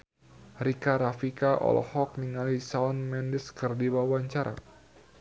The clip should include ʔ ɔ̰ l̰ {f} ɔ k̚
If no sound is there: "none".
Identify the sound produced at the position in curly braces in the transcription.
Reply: h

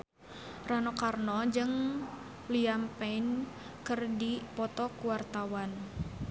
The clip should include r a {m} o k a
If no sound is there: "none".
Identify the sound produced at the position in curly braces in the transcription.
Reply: n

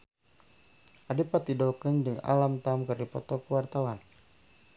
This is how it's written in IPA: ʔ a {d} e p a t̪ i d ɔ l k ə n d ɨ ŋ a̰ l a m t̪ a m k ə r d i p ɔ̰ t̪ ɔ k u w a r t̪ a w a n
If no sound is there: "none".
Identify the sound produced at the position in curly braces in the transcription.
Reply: d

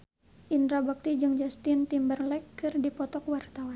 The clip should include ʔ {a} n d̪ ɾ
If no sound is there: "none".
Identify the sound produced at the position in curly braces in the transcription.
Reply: i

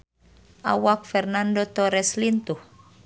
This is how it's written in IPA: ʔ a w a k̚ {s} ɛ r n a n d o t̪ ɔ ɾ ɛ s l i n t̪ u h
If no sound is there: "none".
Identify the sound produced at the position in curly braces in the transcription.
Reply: f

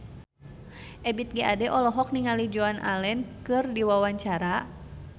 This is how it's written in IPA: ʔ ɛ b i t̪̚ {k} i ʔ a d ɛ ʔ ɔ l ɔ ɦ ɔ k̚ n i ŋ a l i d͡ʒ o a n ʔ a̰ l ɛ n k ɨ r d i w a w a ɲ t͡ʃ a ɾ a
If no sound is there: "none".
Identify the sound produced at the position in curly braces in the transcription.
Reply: ɡ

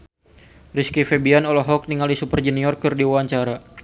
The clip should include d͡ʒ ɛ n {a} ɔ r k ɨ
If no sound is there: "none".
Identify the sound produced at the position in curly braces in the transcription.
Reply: i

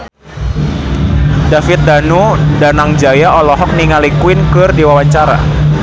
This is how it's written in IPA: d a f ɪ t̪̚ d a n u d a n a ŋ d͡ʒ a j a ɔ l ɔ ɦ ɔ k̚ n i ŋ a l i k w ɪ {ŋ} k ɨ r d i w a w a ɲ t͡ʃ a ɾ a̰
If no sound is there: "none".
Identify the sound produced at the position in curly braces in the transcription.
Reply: n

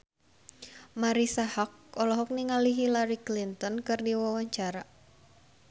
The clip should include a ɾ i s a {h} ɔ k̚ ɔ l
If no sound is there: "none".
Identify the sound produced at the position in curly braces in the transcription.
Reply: h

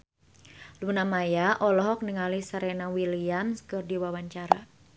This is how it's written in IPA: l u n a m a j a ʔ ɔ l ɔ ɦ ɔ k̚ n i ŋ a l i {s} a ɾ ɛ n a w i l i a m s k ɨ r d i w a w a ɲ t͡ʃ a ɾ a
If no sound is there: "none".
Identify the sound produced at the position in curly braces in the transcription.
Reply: s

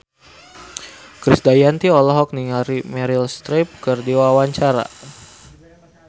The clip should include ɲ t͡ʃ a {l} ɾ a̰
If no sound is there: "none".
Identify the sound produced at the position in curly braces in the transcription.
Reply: none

